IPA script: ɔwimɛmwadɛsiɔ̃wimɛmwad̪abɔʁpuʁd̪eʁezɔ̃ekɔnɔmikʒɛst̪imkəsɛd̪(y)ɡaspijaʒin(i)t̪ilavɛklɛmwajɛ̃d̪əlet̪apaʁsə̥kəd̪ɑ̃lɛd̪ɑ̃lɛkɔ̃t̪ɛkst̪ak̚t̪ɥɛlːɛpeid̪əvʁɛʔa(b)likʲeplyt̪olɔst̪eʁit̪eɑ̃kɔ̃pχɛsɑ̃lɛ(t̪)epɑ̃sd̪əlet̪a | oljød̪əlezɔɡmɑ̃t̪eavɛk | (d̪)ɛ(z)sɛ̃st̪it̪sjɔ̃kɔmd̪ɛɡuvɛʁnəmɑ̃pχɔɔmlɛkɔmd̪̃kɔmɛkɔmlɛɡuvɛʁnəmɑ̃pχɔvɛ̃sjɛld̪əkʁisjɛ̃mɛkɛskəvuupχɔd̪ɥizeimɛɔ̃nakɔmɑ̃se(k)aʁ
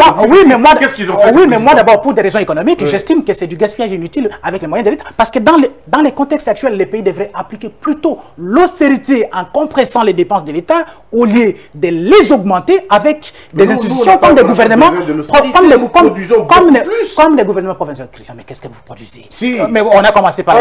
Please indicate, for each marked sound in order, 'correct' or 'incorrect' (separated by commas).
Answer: correct, incorrect, incorrect, incorrect, correct, correct, incorrect